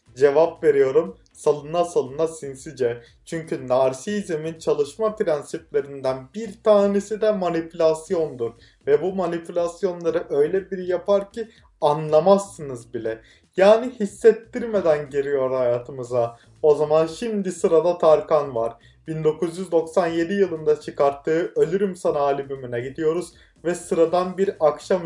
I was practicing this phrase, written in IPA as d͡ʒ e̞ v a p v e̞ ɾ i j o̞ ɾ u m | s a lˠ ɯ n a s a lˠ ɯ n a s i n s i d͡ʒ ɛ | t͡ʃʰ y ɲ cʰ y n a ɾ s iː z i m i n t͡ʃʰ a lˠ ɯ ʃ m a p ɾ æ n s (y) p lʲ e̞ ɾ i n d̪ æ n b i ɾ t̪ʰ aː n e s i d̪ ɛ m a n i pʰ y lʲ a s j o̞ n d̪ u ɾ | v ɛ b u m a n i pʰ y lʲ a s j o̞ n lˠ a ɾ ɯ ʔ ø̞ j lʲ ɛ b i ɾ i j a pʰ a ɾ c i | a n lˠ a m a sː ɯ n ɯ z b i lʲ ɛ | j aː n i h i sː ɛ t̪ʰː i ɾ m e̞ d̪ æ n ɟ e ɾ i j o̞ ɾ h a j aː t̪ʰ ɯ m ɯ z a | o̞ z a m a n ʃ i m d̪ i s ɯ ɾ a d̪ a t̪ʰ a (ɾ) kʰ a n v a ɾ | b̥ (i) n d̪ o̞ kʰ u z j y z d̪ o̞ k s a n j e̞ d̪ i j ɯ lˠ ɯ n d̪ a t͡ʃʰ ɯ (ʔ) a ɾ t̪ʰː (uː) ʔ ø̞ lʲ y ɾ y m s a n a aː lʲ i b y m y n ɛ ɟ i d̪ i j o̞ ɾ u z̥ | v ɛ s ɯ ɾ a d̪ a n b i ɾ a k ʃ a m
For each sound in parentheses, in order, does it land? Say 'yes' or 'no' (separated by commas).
no, yes, yes, no, no